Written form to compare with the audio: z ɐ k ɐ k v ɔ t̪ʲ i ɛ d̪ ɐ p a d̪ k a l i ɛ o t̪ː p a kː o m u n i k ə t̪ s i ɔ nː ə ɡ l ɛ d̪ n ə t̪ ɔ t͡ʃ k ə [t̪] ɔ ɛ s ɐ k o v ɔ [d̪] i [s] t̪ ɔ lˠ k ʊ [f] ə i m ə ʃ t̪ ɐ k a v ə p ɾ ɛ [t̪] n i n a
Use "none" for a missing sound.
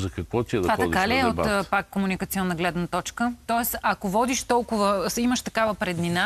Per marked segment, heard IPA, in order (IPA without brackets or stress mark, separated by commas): t̪, d̪, ʃ, v, d̪